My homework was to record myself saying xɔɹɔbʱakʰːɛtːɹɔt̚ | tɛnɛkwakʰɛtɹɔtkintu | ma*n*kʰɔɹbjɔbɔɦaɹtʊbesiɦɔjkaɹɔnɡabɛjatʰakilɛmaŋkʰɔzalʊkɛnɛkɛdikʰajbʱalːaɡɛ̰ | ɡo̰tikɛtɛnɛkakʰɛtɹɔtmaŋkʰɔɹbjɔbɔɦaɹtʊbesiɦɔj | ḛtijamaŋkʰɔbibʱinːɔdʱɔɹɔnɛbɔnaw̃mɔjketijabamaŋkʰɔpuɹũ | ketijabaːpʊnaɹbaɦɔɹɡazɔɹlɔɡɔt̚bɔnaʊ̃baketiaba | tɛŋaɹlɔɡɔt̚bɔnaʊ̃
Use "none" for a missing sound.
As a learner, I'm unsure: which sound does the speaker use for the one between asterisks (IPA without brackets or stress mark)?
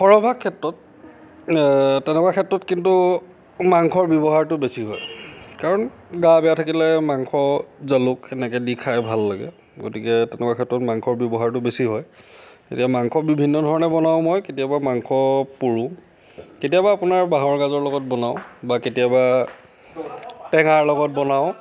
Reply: ŋ